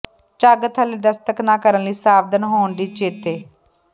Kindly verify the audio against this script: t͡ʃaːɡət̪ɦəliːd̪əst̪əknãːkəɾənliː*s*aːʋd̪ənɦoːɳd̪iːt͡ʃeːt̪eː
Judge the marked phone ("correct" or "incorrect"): correct